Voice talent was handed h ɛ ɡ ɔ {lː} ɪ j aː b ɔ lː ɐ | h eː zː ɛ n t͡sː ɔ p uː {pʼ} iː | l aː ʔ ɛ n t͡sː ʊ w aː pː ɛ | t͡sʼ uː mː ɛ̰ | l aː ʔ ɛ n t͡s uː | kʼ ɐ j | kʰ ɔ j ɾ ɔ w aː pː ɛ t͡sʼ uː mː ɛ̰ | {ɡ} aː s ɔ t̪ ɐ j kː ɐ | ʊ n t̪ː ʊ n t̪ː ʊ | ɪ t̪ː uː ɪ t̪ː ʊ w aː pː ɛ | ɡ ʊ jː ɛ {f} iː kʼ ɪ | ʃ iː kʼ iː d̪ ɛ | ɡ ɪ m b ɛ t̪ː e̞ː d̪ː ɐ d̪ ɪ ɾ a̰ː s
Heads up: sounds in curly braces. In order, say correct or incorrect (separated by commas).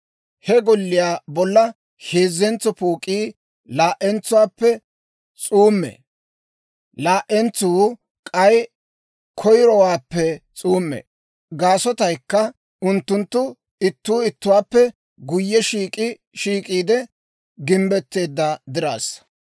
correct, incorrect, correct, incorrect